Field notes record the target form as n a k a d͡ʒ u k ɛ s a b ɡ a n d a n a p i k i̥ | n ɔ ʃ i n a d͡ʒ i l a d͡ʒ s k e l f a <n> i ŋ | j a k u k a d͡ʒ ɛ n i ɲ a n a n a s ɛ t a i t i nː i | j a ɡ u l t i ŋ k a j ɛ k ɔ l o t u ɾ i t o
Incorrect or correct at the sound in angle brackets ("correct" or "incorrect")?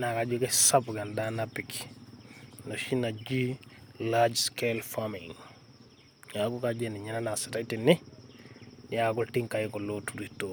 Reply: incorrect